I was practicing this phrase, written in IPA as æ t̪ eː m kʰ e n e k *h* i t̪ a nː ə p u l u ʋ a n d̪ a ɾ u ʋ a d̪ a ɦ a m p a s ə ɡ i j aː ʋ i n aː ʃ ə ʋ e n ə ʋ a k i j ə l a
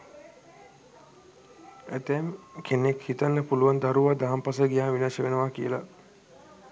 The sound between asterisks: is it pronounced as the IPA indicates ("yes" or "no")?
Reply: yes